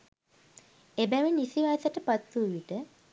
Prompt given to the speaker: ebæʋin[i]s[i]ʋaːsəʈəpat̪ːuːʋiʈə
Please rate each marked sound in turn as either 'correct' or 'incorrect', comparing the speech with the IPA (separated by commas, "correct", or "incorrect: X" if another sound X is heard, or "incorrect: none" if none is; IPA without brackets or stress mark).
correct, correct